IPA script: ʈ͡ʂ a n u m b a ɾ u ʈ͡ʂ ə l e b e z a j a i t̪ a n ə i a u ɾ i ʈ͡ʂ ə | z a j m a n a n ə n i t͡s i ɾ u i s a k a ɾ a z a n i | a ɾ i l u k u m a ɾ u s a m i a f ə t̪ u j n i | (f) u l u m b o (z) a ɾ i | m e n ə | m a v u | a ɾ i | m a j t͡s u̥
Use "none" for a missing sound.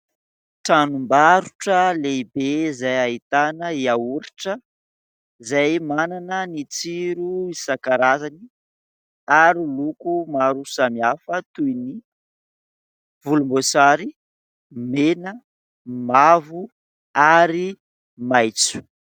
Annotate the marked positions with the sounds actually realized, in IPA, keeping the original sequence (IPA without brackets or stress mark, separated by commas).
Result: v, s